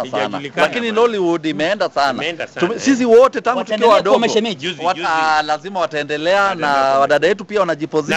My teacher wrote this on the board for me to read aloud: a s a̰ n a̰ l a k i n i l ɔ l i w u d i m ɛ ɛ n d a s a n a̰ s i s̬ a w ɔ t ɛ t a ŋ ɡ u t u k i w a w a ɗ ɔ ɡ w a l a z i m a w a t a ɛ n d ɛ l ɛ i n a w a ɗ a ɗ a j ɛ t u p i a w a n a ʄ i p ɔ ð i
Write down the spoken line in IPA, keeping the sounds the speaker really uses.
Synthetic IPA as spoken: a s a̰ n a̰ l a k i n i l ɔ l i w u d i m ɛ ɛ n d a s a n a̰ s i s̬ i w ɔ t ɛ t a ŋ ɡ u t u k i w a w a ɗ ɔ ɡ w a l a z i m a w a t a ɛ n d ɛ l ɛ a n a w a ɗ a ɗ a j ɛ t u p i a w a n a ʄ i p ɔ z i